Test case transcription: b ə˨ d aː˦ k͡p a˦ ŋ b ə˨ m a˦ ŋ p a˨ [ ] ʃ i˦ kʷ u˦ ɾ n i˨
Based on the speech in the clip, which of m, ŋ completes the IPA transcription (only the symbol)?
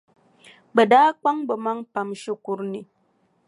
m